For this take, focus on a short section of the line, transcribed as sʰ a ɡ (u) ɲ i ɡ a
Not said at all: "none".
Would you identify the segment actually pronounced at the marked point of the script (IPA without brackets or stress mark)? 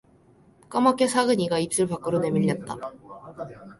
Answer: ɯ